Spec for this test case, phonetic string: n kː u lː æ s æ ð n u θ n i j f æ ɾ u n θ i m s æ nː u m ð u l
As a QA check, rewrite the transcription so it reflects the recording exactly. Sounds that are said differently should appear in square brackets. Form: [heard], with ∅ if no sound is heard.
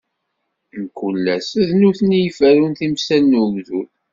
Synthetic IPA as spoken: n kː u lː æ s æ ð n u θ n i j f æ ɾ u n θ i m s æ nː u m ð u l